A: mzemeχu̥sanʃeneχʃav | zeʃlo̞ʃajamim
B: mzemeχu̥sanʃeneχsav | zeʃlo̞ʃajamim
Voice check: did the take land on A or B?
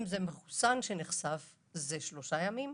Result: B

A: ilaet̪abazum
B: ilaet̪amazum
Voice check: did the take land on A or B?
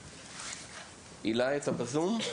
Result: A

